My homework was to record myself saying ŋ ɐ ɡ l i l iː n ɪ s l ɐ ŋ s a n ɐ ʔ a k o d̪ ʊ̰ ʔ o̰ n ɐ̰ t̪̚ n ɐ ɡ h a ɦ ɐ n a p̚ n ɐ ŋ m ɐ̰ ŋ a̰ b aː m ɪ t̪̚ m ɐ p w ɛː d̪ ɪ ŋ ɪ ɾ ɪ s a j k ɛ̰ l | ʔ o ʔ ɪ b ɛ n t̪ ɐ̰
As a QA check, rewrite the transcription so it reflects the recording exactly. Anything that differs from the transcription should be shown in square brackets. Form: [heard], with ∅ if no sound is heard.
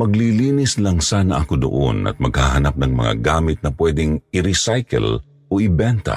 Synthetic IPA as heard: [m] ɐ ɡ l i l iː n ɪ s l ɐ ŋ s a n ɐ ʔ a k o d̪ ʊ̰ ʔ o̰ n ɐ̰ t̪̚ [m] ɐ ɡ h a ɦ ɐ n a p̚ n ɐ ŋ m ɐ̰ ŋ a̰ [ɡ] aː m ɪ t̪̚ [n] ɐ p w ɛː d̪ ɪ ŋ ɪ ɾ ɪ s a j k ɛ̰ l | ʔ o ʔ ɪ b ɛ n t̪ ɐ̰